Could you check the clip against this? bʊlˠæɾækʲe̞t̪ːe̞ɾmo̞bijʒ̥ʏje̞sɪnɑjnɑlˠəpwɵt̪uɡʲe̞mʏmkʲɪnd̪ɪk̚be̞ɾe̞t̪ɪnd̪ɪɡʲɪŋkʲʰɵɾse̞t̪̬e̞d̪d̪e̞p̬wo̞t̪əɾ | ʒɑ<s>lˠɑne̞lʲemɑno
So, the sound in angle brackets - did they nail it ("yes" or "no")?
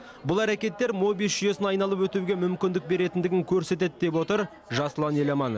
yes